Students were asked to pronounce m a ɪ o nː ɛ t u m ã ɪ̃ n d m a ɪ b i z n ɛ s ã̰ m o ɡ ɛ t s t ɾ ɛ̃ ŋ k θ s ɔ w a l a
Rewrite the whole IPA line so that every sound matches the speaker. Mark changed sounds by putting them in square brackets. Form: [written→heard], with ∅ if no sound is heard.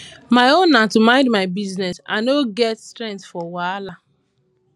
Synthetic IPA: m a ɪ o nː [ɛ→a] t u m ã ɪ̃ n d m a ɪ b i z n ɛ s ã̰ [m→n] o ɡ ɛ t s t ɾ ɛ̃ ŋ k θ [s→f] ɔ w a l a